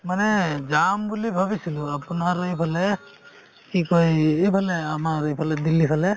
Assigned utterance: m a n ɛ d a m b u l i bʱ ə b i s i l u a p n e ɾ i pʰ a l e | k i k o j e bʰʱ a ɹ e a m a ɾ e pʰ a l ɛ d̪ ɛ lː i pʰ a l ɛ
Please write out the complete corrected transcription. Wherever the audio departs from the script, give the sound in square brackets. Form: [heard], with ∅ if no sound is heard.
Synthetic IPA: m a n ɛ [d͡ʒ] a m b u l i bʱ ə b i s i l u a p n [a] ɾ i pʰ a l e | k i k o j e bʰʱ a [l] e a m a ɾ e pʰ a l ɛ d̪ [i] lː i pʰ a l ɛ